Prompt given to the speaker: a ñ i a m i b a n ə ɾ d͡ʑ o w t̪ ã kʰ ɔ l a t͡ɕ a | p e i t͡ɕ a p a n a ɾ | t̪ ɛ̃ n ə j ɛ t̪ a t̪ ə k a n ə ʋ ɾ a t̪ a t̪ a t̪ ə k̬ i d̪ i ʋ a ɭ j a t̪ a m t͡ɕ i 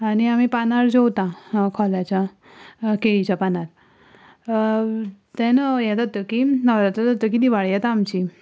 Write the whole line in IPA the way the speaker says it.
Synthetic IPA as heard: a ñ i a m i p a n a ɾ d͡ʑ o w t̪ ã kʰ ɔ l a t͡ɕ a | k e i t͡ɕ a p a n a ɾ | t̪ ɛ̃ n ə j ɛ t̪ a t̪ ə k i n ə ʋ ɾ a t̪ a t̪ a t̪ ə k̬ i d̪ i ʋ a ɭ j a t̪ a m t͡ɕ i